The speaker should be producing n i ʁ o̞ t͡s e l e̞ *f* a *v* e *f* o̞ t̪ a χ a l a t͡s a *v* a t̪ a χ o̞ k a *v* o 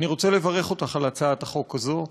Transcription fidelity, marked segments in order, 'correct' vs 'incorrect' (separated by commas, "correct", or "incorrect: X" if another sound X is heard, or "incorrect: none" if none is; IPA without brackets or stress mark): incorrect: v, incorrect: ʁ, incorrect: χ, incorrect: none, incorrect: z